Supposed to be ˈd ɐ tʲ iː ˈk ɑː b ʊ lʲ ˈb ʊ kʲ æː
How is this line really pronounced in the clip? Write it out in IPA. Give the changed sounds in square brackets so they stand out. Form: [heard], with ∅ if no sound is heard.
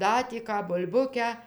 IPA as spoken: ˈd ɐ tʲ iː ˈk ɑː b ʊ lʲ ˈb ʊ kʲ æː